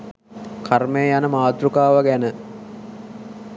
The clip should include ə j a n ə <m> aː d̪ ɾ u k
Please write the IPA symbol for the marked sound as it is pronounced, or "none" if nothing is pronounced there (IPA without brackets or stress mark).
m